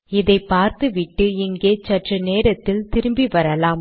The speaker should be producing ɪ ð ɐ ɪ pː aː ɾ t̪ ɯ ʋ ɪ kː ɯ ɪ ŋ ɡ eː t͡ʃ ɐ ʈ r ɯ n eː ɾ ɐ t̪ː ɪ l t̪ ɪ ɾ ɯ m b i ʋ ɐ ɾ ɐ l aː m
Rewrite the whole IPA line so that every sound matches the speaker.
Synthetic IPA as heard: ɪ ð ɐ ɪ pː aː ɾ t̪ ɯ ʋ ɪ ʈː ɯ ɪ ŋ ɡ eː t͡ʃ ɐ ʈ r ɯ n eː ɾ ɐ t̪ː ɪ l t̪ ɪ ɾ ɯ m b i ʋ ɐ ɾ ɐ l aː m